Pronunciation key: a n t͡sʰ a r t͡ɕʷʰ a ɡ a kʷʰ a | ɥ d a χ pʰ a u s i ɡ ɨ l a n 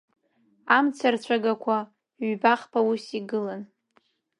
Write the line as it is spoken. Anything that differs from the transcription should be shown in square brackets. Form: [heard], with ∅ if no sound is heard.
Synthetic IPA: a [m] t͡sʰ a r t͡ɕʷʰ a ɡ a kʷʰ a | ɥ [b] a χ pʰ a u s i ɡ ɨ l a n